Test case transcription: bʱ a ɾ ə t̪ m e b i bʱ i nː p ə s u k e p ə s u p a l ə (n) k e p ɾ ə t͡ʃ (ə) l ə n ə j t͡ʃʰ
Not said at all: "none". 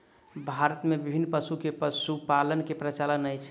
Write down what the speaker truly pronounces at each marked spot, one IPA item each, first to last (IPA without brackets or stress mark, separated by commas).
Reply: n, a